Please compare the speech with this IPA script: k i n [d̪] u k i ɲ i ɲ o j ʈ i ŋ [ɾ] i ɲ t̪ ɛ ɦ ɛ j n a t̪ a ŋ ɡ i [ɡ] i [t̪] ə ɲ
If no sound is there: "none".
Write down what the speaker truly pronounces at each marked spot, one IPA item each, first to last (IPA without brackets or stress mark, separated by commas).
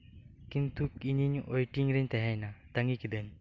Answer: t̪, ɾ, k, d̪